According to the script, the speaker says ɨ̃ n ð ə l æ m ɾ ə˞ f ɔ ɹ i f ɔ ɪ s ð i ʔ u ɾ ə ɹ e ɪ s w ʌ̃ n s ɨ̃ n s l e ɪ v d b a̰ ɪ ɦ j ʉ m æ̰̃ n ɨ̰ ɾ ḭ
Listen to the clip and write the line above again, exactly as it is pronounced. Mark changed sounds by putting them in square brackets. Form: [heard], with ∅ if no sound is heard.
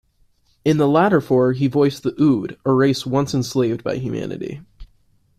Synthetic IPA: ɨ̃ n ð ə l æ [∅] ɾ ə˞ f ɔ ɹ i [v] ɔ ɪ s ð i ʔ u ɾ ə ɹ e ɪ s w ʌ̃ n s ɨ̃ n s l e ɪ v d b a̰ ɪ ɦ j ʉ m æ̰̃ n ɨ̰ ɾ ḭ